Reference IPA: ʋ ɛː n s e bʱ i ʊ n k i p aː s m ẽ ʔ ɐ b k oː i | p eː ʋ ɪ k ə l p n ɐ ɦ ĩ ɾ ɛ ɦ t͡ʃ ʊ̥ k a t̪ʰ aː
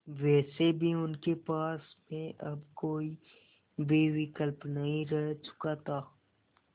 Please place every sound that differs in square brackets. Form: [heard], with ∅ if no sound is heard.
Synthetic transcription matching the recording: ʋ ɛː [∅] s e bʱ i ʊ n k [e] p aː s m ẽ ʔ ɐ b k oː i | [b] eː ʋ ɪ k ə l p n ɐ ɦ ĩ ɾ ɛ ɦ t͡ʃ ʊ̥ k a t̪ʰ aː